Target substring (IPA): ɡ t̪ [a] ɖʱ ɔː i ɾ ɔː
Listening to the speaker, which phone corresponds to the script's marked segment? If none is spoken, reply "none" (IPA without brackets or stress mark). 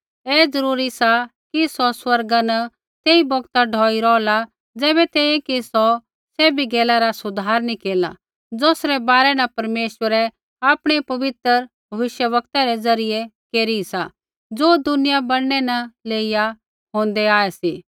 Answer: a